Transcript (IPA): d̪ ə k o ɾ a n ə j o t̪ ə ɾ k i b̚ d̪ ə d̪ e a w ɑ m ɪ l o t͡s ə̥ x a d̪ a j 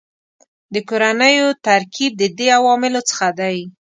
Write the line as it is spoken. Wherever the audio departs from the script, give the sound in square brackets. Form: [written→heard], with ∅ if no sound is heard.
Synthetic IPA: d̪ ə k o ɾ a n ə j o t̪ [ə→a] ɾ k i b̚ d̪ ə d̪ e a w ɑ m ɪ l o t͡s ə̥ x a d̪ a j